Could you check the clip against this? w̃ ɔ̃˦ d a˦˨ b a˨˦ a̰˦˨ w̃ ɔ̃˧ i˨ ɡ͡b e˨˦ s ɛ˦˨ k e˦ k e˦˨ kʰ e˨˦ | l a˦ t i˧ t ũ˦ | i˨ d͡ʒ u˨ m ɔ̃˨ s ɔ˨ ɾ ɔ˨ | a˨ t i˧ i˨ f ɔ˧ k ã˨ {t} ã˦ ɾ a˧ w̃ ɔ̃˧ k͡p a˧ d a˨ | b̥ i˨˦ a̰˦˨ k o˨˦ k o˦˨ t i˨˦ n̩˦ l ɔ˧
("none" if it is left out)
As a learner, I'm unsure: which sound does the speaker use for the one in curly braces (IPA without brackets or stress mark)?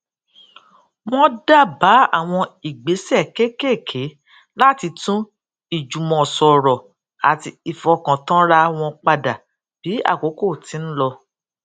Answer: t